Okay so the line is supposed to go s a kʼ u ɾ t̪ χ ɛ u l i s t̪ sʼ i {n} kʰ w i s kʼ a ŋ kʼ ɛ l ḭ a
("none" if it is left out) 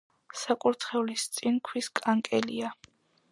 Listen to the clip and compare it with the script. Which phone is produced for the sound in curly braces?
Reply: n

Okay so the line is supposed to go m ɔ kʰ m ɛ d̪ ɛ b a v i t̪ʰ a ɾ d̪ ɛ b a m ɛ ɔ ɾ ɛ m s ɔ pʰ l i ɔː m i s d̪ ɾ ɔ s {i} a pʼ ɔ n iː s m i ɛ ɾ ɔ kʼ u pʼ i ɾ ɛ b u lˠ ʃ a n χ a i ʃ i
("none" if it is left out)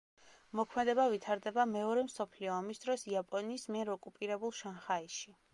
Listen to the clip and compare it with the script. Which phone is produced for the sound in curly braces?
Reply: i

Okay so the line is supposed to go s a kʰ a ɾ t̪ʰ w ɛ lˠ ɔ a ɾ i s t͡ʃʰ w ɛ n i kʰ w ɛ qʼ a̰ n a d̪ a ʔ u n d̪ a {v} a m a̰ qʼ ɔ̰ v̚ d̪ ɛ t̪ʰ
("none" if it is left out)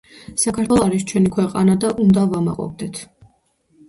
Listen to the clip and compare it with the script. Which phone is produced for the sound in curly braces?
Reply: v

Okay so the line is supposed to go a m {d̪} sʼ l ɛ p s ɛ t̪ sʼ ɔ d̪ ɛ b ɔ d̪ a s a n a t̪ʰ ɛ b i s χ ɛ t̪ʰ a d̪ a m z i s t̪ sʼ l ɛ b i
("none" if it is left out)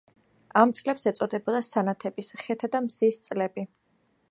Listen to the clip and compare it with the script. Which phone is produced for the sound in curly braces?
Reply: t̪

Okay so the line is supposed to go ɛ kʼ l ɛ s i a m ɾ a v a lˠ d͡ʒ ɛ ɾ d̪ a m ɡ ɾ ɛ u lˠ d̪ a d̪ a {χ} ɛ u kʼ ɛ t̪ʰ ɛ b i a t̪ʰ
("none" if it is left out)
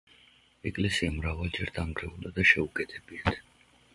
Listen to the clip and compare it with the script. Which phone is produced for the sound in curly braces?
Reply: ʃ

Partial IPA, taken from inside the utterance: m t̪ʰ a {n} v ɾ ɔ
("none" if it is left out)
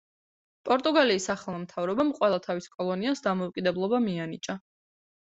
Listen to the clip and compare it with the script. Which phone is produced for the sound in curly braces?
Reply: none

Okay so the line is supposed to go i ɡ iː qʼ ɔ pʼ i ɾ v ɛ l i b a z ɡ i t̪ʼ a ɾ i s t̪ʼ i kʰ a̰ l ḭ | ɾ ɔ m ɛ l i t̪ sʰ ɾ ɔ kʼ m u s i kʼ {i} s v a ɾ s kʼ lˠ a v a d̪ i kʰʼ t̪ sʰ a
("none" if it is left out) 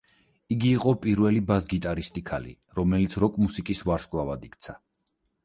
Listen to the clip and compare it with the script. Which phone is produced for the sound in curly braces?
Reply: i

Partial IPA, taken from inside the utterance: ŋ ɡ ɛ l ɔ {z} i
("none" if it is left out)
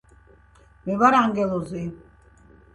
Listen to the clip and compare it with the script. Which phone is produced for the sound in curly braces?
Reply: z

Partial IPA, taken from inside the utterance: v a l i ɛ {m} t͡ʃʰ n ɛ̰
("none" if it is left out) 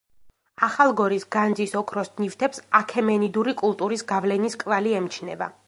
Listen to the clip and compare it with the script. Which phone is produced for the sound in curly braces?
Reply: m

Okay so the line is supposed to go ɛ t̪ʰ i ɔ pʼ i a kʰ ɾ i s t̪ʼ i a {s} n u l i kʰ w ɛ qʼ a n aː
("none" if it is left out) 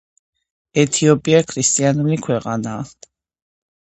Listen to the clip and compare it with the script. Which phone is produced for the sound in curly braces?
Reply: none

